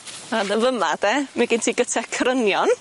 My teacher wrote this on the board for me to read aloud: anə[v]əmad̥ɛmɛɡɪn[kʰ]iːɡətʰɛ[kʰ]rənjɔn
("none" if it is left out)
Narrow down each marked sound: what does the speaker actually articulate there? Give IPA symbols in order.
v, tʰ, kʰ

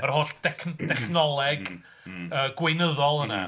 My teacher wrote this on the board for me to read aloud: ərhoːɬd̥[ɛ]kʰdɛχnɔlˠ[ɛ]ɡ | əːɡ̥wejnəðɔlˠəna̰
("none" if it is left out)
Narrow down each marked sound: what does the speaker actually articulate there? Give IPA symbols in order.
ɛ, ɛ

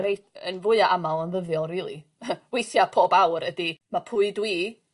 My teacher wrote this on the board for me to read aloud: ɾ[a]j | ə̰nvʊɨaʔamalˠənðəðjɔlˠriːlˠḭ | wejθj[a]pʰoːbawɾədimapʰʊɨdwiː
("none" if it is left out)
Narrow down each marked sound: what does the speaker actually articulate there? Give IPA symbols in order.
e, a

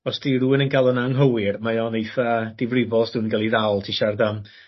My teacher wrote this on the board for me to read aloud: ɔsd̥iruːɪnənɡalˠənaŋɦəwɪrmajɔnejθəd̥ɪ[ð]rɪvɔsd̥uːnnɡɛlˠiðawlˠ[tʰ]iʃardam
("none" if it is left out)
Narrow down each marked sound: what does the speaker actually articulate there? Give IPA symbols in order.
v, tʰ

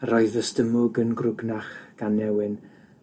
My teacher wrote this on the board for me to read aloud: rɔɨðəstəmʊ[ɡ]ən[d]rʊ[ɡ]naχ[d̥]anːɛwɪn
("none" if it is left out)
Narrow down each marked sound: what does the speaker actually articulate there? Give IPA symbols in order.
ɡ, ɡ, ɡ, ɡ̥

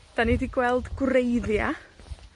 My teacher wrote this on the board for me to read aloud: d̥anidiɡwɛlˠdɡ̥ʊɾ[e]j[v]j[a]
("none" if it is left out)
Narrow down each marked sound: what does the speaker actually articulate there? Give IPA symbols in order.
e, ð, a

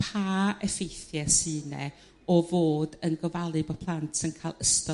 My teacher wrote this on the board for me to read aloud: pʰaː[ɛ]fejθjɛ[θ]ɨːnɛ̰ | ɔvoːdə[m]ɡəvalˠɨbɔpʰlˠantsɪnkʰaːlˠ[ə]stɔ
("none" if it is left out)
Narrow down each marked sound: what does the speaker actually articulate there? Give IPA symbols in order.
ɛ, s, n, ə

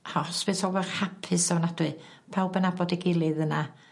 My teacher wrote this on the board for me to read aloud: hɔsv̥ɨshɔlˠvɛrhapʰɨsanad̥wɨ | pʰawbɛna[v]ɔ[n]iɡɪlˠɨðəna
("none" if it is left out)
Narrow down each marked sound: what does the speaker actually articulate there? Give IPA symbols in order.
b, d

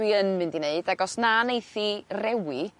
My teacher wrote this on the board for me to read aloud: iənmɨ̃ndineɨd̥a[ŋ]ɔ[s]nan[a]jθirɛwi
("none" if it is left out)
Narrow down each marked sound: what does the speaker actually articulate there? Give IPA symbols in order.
ɡ, s, e

